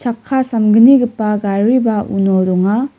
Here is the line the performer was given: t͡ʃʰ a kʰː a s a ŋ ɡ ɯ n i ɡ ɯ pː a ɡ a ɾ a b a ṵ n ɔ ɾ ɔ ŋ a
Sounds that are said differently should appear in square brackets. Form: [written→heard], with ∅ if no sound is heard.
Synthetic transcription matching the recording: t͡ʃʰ a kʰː a s a [ŋ→m] ɡ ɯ n i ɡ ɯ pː a ɡ a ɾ [a→i] b a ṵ n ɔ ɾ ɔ ŋ a